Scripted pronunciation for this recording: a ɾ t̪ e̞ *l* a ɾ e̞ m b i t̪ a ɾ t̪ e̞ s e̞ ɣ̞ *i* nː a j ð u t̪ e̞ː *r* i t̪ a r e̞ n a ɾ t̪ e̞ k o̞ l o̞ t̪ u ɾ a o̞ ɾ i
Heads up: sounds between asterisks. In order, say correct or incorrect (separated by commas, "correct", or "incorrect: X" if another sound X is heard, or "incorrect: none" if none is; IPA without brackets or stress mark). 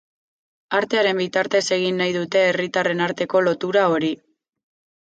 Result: incorrect: none, correct, correct